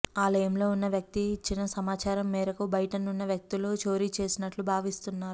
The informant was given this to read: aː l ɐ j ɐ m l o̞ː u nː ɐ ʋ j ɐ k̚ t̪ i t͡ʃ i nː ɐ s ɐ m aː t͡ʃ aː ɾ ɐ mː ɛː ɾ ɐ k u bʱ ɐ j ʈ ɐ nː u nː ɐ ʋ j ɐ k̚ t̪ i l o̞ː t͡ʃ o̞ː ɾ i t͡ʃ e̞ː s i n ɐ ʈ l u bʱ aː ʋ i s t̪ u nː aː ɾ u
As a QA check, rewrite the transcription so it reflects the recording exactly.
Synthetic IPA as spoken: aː l ɐ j ɐ m l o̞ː u nː ɐ ʋ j ɐ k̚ t̪ i t͡ʃ i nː ɐ s ɐ m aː t͡ʃ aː ɾ ɐ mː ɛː ɾ ɐ k u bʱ ɐ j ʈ ɐ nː u nː ɐ ʋ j ɐ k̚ t̪ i l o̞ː t͡ʃ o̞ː ɾ i t͡ʃ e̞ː s i n ɐ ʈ l u bʱ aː ʋ i s t̪ u nː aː ɾ u